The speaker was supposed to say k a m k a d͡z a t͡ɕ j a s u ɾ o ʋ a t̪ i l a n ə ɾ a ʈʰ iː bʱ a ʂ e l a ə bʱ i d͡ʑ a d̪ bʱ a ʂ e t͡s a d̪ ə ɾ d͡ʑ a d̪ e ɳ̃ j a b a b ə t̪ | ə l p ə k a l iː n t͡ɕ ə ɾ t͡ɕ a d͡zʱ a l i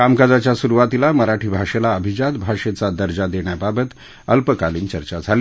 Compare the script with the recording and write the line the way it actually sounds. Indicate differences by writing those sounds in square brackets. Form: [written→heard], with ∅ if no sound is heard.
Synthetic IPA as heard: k a m k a d͡z a t͡ɕ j a s u ɾ [o→u] ʋ a t̪ i l a [n→m] ə ɾ a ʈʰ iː bʱ a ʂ e l a ə bʱ i d͡ʑ a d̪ bʱ a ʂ e t͡s a d̪ ə ɾ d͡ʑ a d̪ e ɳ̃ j a b a b ə t̪ | ə l p ə k a l iː n t͡ɕ ə ɾ t͡ɕ a d͡zʱ a l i